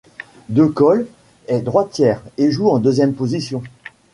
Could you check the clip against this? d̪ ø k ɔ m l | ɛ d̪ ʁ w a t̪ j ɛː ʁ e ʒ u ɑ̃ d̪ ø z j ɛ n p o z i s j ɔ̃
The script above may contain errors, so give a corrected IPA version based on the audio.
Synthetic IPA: d̪ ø k ɔ l | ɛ d̪ ʁ w a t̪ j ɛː ʁ e ʒ u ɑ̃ d̪ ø z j ɛ m p o z i s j ɔ̃